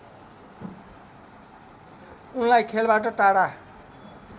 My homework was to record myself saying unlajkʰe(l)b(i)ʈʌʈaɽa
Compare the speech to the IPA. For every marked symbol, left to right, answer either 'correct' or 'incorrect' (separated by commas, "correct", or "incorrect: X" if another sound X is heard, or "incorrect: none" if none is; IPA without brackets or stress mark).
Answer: correct, incorrect: a